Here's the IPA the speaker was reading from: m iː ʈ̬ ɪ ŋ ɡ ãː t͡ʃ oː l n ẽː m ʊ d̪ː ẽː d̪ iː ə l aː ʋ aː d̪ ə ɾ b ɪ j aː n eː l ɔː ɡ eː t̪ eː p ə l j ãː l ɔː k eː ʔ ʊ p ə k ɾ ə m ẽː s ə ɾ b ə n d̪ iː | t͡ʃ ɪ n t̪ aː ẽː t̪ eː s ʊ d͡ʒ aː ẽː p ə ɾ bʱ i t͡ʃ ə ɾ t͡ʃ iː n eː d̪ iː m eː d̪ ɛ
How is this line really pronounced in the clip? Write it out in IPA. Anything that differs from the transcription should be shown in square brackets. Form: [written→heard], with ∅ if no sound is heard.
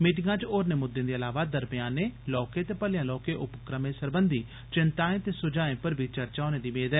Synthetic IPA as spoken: m iː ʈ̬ ɪ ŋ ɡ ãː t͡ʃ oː [l→ɾ] n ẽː m ʊ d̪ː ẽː d̪ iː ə l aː ʋ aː d̪ ə ɾ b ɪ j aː n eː l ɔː [ɡ→k] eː t̪ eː p ə l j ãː l ɔː k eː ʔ ʊ p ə k ɾ ə m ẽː s ə ɾ b ə n d̪ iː | t͡ʃ ɪ n t̪ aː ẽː t̪ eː s ʊ d͡ʒ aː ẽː p ə ɾ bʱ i t͡ʃ ə ɾ t͡ʃ [iː→aː] n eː d̪ iː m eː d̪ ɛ